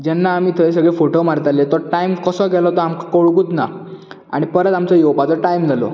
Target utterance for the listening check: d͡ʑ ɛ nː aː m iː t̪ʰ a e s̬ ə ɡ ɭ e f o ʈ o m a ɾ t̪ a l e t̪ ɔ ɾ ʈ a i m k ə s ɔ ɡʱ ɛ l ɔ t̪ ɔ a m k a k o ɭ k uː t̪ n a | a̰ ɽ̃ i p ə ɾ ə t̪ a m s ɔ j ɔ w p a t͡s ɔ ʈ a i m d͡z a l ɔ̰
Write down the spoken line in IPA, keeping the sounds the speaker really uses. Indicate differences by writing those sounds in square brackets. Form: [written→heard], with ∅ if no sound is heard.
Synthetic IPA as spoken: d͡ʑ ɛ nː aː m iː t̪ʰ [a→ə] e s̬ ə ɡ ɭ e f o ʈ o m a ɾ t̪ a l e t̪ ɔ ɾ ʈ a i m k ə s ɔ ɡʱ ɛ l ɔ t̪ ɔ a m k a k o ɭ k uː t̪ n a | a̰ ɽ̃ i p ə ɾ ə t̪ a m [s→t͡s] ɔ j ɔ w p a t͡s ɔ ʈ a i m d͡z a l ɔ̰

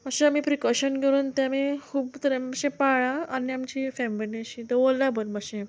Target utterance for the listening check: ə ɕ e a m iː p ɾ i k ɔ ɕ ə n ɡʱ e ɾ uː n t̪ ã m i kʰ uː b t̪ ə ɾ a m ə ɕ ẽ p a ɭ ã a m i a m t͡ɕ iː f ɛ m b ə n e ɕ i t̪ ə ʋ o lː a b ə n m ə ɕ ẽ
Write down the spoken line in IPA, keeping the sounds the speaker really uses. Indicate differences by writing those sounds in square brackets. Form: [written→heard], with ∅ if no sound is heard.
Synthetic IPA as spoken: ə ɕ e a m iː p ɾ i k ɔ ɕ ə n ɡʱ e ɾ uː n t̪ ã m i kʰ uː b t̪ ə ɾ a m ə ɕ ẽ p a ɭ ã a [m→n] i a m t͡ɕ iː f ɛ m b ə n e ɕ i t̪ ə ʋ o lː a b ə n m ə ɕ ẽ

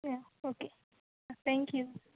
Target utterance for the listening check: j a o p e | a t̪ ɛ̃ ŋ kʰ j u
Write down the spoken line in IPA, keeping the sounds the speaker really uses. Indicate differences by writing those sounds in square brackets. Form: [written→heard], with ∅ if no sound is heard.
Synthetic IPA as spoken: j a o [p→k] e | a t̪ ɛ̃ ŋ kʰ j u

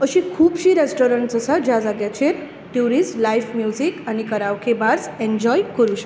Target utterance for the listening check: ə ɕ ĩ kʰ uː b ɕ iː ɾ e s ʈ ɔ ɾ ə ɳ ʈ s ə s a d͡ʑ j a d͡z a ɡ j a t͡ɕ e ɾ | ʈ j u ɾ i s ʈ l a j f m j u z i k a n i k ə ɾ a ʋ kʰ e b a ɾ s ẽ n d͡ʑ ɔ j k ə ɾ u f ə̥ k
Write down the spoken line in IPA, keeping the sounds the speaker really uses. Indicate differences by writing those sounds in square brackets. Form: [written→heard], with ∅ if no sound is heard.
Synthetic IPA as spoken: ə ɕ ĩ kʰ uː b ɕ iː ɾ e s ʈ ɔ ɾ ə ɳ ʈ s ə s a d͡ʑ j a d͡z a ɡ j a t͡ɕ e ɾ | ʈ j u ɾ i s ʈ l a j f m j u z i k a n i k ə ɾ a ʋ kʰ e b a ɾ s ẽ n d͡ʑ ɔ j k ə ɾ u [f→ɕ] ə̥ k

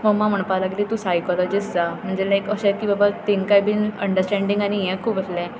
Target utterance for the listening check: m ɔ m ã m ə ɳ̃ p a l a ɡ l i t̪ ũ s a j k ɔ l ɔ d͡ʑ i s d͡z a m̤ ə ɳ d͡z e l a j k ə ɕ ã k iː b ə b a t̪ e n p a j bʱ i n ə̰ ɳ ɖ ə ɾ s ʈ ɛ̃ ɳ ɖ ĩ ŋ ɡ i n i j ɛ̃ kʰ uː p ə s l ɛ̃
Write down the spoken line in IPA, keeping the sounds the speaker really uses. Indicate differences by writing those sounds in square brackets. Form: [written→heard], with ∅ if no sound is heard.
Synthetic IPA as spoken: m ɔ m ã m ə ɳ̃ p a l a ɡ l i t̪ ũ s a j k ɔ l ɔ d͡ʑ i s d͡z a m̤ ə ɳ d͡z e l a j k ə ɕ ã k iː b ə b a t̪ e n [p→k] a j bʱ i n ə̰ ɳ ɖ ə ɾ s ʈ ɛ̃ ɳ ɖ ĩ ŋ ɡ [i→a] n i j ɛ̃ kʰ uː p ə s l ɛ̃

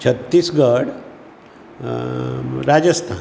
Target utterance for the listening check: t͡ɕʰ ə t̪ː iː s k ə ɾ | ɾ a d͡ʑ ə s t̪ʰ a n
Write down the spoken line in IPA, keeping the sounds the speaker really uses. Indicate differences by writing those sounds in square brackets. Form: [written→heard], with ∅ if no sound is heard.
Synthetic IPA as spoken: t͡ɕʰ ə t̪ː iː s [k→ɡ] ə [ɾ→ɽ] | ɾ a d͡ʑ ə s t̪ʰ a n

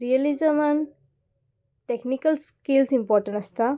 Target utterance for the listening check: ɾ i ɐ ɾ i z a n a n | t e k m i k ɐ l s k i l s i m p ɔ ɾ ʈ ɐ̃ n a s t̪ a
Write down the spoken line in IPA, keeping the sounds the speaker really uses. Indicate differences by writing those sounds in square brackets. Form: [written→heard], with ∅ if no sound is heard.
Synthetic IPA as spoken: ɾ i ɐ [ɾ→l] i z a [n→m] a n | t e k [m→n] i k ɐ l s k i l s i m p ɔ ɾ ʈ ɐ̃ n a s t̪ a

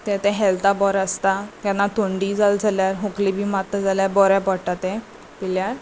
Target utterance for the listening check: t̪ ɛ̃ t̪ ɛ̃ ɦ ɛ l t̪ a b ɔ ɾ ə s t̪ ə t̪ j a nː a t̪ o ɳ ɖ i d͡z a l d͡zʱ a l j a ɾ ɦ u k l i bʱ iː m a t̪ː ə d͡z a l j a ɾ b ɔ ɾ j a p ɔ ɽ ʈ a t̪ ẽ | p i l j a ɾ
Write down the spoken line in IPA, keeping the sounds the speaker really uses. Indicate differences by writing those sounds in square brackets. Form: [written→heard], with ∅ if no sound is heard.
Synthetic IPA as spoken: t̪ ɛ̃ t̪ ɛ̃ ɦ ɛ l t̪ a b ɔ ɾ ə s t̪ [ə→a] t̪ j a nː a t̪ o ɳ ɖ i d͡z a l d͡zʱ a l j a ɾ ɦ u k l i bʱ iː m a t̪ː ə d͡z a l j a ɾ b ɔ ɾ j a p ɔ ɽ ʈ a t̪ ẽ | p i l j a ɾ

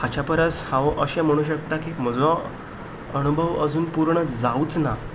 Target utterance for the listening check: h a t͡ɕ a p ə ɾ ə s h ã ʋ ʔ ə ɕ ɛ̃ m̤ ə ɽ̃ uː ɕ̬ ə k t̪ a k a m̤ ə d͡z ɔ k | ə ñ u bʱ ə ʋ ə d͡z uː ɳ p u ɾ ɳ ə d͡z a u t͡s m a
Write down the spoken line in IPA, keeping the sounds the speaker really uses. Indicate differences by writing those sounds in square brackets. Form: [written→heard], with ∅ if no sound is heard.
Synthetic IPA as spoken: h a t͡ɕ a p ə ɾ ə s h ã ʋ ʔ ə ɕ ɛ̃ m̤ ə ɽ̃ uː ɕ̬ ə k t̪ a k [a→i] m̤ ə d͡z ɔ [k→∅] | ə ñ u bʱ ə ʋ ə d͡z uː [ɳ→n] p u ɾ ɳ ə d͡z a u t͡s [m→n] a

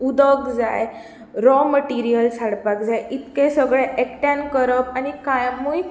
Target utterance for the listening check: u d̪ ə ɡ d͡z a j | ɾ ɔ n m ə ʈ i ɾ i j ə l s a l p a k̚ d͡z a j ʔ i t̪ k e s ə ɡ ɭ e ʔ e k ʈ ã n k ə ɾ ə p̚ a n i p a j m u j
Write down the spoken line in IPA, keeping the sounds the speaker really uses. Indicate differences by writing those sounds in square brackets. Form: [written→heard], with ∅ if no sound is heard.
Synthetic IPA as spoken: u d̪ ə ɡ d͡z a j | ɾ ɔ [n→∅] m ə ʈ i ɾ i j ə l s a [l→ɽ] p a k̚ d͡z a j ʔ i t̪ k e s ə ɡ ɭ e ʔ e k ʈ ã n k ə ɾ ə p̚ a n i [p→k] a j m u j

